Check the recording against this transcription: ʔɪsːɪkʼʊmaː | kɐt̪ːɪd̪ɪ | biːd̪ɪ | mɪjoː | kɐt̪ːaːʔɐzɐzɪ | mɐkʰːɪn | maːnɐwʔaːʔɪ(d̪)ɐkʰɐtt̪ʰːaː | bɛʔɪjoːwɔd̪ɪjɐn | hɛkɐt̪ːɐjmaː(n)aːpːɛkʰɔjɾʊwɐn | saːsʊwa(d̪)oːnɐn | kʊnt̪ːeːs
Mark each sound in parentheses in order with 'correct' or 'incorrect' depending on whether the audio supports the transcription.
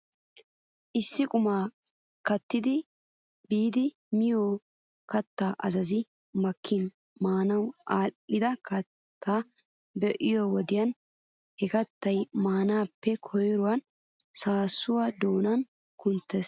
correct, correct, correct

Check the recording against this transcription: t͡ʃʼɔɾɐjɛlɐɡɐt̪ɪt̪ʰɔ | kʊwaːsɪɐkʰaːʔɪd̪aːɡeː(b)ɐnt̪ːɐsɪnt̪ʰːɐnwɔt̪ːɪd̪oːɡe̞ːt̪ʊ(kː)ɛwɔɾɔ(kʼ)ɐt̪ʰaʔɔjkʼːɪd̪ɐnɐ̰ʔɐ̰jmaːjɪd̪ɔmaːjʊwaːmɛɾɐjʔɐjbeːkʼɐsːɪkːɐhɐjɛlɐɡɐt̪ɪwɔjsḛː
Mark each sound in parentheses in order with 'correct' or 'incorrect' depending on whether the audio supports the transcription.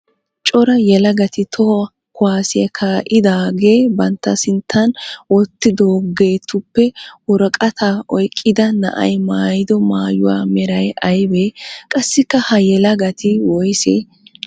correct, incorrect, correct

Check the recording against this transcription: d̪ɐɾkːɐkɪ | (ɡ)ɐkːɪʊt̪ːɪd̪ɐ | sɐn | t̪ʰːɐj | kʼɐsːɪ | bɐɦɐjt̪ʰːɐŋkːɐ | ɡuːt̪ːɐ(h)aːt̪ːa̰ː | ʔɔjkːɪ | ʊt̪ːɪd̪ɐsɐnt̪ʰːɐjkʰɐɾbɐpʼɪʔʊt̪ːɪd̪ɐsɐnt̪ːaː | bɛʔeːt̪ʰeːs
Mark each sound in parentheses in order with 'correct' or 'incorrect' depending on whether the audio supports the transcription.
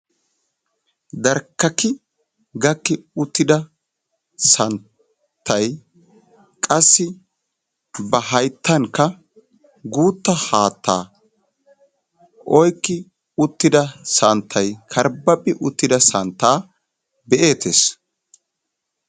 correct, correct

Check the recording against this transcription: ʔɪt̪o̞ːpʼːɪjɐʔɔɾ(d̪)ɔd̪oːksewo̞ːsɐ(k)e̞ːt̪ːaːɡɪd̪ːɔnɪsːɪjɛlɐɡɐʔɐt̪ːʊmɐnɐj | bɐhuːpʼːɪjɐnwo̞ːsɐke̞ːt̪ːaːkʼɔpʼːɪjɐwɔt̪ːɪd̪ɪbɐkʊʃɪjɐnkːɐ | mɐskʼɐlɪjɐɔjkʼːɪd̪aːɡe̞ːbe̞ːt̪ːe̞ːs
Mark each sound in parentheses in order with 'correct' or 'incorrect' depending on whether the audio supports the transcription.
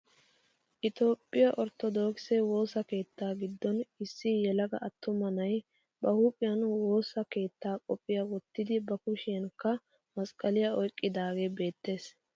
incorrect, correct

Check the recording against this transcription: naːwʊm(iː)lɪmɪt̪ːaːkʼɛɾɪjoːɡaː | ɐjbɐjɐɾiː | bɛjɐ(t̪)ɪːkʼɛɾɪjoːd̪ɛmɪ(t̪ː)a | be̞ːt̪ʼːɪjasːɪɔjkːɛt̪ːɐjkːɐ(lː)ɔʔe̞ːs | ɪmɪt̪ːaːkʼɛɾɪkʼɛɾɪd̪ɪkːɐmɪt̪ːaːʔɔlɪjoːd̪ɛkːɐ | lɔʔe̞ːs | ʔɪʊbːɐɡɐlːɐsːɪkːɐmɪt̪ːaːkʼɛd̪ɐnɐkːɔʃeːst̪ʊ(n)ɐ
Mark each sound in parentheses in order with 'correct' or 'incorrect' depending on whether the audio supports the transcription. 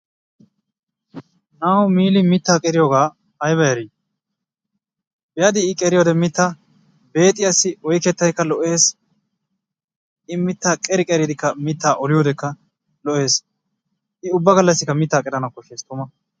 correct, incorrect, correct, incorrect, incorrect

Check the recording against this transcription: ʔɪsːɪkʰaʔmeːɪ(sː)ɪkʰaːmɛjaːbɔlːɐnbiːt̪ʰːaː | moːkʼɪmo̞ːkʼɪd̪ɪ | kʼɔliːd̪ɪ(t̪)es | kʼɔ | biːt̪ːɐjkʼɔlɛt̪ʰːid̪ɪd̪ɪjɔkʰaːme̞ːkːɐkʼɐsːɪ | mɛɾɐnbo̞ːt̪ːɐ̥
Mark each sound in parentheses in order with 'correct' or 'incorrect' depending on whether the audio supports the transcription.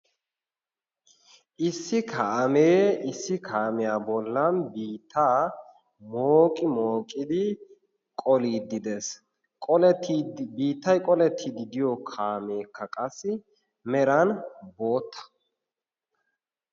correct, incorrect

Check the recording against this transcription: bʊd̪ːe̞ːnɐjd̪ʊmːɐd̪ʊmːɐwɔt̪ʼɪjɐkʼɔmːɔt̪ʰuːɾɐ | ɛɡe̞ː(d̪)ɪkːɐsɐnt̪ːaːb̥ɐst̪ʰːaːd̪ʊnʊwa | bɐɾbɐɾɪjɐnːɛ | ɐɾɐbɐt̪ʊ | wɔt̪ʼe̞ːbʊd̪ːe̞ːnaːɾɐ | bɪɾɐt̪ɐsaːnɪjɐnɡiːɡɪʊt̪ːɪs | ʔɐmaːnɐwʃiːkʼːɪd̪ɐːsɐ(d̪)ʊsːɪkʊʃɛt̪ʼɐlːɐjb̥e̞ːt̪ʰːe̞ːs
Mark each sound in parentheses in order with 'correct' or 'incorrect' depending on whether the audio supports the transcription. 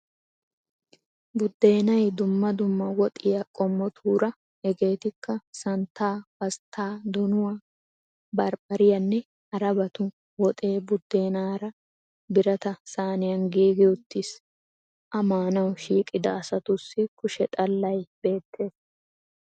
incorrect, incorrect

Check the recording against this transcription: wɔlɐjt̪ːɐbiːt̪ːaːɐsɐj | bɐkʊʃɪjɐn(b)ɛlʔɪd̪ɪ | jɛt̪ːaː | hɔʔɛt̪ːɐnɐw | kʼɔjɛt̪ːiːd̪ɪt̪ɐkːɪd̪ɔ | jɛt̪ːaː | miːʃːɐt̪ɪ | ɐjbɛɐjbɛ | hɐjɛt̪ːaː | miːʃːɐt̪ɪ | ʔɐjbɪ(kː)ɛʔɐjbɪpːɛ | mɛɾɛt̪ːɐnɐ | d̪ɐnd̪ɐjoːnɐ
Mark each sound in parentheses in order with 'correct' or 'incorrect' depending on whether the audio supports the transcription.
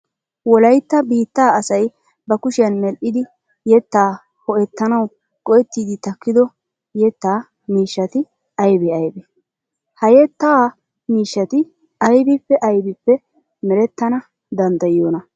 incorrect, incorrect

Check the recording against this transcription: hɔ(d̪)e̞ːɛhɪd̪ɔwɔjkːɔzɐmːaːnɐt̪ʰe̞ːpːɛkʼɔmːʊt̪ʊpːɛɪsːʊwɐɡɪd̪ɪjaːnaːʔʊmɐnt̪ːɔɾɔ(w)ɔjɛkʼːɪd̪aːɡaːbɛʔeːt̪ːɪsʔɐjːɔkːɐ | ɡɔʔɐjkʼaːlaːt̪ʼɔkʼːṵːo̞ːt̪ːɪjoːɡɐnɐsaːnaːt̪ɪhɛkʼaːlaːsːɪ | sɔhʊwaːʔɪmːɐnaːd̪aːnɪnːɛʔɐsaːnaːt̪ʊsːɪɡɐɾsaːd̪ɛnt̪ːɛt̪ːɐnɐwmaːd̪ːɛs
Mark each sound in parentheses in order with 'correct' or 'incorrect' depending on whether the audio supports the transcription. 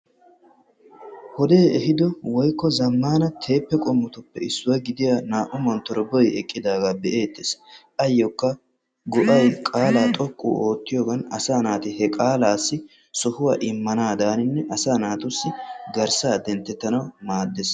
correct, incorrect

